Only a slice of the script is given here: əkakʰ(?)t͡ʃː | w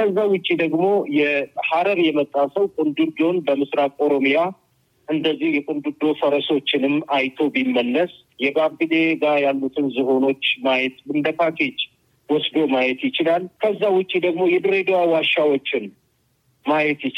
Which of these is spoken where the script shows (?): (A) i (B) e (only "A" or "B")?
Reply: B